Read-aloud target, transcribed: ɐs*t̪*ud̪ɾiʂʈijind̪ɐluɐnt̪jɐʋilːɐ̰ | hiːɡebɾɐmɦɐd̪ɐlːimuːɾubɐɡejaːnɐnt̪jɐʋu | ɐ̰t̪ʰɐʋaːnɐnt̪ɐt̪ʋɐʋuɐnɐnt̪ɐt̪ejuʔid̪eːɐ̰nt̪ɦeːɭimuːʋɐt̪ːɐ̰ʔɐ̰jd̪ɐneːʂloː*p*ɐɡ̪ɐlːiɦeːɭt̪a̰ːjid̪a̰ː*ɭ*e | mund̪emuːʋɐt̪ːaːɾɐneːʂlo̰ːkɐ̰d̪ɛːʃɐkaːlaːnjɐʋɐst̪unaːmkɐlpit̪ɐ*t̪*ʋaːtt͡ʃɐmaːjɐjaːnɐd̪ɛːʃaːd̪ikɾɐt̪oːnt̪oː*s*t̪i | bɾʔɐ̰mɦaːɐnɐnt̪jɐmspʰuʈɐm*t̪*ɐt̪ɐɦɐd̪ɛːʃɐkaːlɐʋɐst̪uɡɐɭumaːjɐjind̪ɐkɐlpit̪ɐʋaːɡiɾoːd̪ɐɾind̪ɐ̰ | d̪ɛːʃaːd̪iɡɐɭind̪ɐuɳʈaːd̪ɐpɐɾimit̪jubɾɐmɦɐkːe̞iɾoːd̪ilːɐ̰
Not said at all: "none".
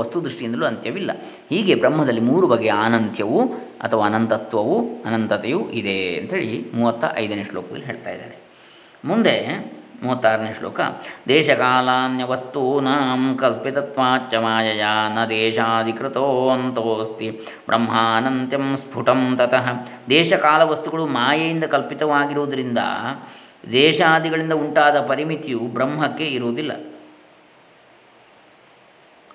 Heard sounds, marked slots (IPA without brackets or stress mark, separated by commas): t̪, k, ɾ, t̪, s, t̪